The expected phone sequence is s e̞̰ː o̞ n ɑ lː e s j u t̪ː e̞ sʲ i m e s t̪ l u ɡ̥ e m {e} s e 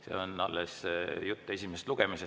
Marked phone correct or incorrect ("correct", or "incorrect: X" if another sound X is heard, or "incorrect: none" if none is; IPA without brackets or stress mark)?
incorrect: i